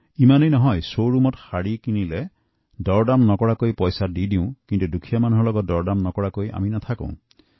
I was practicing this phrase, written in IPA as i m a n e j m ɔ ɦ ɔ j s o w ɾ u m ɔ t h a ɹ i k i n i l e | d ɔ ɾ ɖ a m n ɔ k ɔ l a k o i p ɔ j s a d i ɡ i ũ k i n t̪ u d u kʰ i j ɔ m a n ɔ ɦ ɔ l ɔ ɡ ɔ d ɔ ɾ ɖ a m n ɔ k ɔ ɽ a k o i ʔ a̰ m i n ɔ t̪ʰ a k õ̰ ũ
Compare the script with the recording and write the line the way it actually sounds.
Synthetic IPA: i m a n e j n ɔ ɦ ɔ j s o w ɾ u m ɔ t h a ɽ i k i n i l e | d ɔ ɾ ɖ a m n ɔ k ɔ ɽ a k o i p ɔ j s a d i d i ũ k i n t̪ u d u kʰ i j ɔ m a n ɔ ɦ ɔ l ɔ ɡ ɔ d ɔ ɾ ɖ a m n ɔ k ɔ ɽ a k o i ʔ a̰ m i n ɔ t̪ʰ a k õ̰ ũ